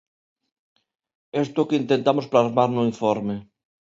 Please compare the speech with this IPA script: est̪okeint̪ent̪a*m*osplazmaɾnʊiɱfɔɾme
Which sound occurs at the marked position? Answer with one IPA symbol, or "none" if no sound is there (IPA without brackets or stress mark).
m